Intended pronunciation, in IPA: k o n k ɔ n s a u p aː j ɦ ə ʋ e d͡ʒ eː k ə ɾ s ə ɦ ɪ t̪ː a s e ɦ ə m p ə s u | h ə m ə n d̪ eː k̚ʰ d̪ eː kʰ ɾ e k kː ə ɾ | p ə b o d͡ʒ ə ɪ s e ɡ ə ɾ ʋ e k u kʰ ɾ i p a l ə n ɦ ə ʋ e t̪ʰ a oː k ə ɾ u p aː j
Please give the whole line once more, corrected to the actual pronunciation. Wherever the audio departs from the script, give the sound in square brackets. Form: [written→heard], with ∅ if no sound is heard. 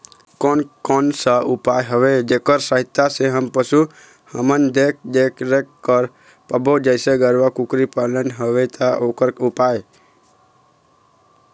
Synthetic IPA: k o n k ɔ n s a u p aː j ɦ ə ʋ e d͡ʒ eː k ə ɾ s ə ɦ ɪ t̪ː a s e ɦ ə m p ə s u | h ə m ə n d̪ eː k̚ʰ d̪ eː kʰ ɾ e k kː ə ɾ | p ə b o d͡ʒ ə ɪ s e ɡ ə ɾ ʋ [e→a] k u [kʰ→k] ɾ i p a l ə n ɦ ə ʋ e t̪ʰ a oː k ə ɾ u p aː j